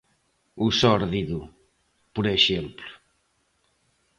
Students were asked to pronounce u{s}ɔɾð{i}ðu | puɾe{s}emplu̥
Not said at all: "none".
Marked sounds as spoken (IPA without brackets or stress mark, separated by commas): s, i, ʃ